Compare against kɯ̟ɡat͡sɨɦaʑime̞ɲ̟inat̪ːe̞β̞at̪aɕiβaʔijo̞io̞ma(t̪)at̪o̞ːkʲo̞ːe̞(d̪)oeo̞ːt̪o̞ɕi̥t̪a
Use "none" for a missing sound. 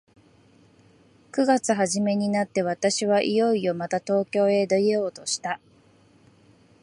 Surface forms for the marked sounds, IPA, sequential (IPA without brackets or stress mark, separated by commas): t̪, d̪